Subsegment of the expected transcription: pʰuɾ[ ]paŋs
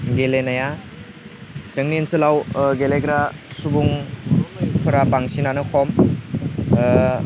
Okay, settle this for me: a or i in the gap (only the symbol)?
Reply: a